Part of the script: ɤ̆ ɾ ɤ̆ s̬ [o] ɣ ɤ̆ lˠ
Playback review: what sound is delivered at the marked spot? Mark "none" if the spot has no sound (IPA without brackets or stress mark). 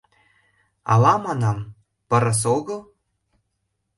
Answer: o